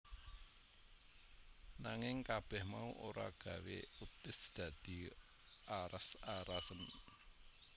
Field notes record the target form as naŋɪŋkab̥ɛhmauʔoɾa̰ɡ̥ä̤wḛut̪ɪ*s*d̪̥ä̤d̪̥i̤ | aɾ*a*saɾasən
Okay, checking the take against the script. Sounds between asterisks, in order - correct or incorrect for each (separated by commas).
correct, correct